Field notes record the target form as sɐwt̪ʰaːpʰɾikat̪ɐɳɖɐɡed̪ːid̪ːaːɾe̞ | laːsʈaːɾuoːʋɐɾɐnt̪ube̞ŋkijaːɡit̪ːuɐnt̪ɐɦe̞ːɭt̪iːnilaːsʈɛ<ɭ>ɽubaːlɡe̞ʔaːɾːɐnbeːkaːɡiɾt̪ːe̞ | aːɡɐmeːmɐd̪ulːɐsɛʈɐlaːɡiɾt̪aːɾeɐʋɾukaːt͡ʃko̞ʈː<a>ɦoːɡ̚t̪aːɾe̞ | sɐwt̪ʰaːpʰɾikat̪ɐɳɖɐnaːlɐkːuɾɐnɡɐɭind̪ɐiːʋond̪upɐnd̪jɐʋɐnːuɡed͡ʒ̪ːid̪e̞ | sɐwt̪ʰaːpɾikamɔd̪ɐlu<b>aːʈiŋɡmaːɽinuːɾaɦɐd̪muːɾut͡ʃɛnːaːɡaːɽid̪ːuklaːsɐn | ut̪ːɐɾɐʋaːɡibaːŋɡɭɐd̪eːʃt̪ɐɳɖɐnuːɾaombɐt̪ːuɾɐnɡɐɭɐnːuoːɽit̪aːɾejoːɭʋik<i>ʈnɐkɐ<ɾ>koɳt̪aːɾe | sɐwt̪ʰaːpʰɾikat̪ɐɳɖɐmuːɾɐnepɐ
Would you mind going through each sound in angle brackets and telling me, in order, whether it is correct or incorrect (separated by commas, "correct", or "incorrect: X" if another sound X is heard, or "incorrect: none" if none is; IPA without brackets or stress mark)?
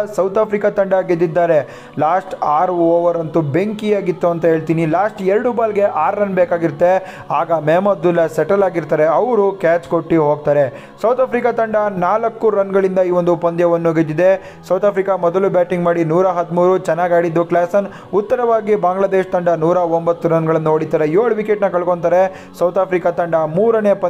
incorrect: ɾ, incorrect: i, correct, incorrect: e, incorrect: ɭ